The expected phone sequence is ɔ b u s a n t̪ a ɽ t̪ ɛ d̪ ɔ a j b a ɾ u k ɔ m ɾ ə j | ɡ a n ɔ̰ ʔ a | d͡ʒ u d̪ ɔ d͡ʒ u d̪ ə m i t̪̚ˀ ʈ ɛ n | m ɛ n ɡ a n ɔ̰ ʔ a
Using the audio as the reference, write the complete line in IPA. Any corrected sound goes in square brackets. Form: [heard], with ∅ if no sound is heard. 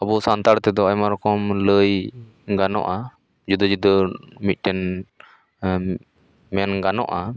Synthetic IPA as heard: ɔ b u s a n t̪ a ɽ t̪ ɛ d̪ ɔ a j [m] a ɾ [ɔ] k ɔ m [l] ə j | ɡ a n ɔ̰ ʔ a | d͡ʒ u d̪ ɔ d͡ʒ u d̪ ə m i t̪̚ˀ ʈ ɛ n | m ɛ n ɡ a n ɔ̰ ʔ a